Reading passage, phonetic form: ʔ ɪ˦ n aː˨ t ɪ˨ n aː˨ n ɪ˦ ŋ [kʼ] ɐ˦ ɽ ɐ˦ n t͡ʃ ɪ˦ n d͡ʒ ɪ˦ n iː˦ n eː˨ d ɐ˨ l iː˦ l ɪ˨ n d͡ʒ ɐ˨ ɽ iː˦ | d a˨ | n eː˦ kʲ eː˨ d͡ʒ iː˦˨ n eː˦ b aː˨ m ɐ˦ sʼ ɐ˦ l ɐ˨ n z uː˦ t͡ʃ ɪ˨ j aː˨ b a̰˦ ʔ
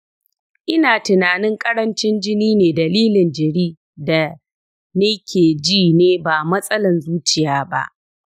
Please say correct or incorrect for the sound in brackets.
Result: correct